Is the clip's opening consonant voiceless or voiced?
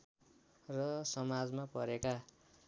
voiced